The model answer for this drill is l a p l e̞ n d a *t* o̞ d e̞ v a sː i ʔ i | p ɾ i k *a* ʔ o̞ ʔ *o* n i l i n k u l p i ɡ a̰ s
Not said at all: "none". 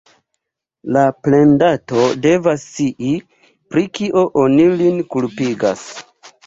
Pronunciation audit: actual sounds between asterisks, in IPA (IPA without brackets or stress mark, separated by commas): t, i, o